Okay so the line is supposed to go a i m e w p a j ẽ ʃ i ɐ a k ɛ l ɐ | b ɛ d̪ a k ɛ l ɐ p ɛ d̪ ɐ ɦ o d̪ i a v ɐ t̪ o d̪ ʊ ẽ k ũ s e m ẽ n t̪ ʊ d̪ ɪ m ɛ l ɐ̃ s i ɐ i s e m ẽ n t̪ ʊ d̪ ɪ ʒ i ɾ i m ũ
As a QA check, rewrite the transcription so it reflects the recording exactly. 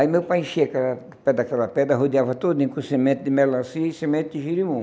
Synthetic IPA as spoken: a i m e w p a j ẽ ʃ i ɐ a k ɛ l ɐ | p ɛ d̪ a k ɛ l ɐ p ɛ d̪ ɐ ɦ o d̪ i a v ɐ t̪ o d̪ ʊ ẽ k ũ s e m ẽ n t̪ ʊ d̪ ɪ m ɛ l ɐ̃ s i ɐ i s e m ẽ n t̪ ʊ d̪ ɪ ʒ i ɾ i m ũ